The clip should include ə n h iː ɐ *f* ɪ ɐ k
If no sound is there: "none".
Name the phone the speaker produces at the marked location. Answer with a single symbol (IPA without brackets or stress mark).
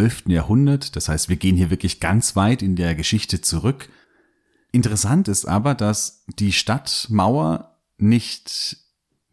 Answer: v